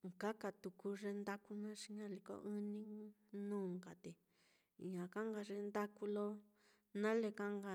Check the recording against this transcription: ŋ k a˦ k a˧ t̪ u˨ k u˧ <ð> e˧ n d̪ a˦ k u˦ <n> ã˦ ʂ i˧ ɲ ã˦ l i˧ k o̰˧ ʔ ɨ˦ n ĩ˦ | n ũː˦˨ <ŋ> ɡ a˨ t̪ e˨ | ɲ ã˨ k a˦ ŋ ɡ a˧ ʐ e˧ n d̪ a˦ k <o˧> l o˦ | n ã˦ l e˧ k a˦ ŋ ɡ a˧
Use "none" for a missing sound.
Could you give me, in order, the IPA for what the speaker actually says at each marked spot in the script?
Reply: ʐ, n, ŋ, u˧

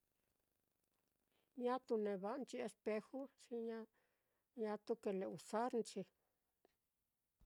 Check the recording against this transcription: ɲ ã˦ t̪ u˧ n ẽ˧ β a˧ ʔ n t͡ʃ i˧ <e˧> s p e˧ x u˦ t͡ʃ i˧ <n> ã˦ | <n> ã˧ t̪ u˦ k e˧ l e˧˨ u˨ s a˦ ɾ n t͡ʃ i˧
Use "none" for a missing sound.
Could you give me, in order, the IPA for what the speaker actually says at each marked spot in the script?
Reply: e˧, ɲ, ɲ

